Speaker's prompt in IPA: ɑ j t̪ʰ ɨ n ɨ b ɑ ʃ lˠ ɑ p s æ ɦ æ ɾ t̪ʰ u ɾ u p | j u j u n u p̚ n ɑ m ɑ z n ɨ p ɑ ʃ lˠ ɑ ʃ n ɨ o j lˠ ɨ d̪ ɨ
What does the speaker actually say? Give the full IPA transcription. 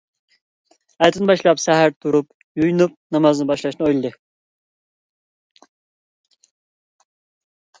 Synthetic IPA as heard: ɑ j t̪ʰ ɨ n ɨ b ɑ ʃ lˠ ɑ p s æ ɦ æ ɾ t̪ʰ u ɾ u p | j u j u n u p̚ n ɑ m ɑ z n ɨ b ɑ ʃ lˠ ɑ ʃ n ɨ o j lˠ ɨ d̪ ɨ

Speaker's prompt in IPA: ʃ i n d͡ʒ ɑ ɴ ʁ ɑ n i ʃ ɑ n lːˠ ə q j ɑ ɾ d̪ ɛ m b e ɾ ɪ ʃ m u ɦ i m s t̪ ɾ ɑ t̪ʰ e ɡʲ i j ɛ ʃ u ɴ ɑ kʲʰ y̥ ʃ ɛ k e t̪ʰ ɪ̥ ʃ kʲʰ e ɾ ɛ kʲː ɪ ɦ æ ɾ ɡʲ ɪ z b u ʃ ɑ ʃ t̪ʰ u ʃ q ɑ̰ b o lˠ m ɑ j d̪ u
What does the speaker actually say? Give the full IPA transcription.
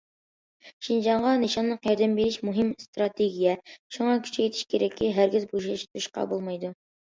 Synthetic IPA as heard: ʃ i n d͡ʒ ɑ ɴ ʁ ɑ n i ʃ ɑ n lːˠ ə q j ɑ ɾ d̪ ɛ m b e ɾ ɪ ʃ m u ɦ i m s t̪ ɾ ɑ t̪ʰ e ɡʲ i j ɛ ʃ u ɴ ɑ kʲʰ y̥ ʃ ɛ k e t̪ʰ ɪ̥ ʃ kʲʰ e ɾ ɛ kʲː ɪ ɦ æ ɾ ɡʲ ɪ z b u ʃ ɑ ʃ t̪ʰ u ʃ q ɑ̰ b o lˠ m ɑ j d̪ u

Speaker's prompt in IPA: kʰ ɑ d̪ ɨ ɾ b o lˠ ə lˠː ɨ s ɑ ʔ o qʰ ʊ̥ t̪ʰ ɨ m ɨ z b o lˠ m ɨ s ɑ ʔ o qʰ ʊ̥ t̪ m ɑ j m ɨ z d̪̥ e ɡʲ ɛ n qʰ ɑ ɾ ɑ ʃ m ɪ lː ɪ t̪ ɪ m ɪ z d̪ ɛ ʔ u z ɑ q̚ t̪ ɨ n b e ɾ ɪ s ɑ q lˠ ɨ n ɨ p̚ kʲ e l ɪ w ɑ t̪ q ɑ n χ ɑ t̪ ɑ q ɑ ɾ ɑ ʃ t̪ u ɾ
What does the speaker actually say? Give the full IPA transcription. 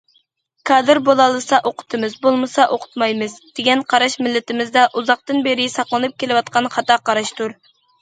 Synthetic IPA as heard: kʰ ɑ d̪ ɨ ɾ b o lˠ ɑ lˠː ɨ s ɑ ʔ o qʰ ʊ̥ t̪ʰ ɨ m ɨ z b o lˠ m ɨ s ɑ ʔ o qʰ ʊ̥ t̪ m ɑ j m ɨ z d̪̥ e ɡʲ ɛ n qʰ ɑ ɾ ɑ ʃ m ɪ lː ɪ t̪ ɪ m ɪ z d̪ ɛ ʔ u z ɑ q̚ t̪ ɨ n b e ɾ ɪ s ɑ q lˠ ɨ n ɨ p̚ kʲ e l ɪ w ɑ t̪ q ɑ n χ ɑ t̪ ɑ q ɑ ɾ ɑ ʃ t̪ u ɾ

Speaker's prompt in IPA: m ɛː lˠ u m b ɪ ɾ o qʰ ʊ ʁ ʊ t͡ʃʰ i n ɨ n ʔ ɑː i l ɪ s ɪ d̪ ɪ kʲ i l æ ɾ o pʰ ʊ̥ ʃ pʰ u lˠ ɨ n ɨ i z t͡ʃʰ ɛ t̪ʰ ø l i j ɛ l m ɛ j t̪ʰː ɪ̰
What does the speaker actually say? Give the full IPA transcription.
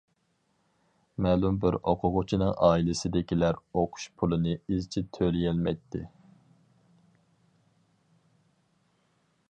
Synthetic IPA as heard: m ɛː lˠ u m b ɪ ɾ o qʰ ʊ ʁ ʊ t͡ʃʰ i n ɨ ŋ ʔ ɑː i l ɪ s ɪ d̪ ɪ kʲ i l æ ɾ o qʰ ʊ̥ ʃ pʰ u lˠ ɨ n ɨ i z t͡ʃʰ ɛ t̪ʰ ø l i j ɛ l m ɛ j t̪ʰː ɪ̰

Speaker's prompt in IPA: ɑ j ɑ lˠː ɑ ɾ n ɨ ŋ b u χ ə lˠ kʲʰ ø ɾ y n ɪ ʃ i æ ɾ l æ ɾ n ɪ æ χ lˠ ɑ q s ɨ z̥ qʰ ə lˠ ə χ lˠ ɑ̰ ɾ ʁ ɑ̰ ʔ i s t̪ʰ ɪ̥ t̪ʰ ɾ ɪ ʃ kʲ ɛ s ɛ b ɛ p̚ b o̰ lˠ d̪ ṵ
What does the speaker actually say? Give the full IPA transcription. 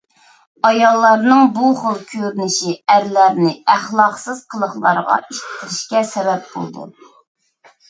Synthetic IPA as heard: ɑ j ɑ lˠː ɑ ɾ n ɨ ŋ b u χ ə lˠ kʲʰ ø ɾ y n ɪ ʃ i æ ɾ l æ ɾ n ɪ æ χ lˠ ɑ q s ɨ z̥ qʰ ə lˠ ə χ lˠ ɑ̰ ɾ ʁ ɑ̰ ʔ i ʃ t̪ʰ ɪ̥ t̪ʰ ɾ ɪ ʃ kʲ ɛ s ɛ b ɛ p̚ b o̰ lˠ d̪ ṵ

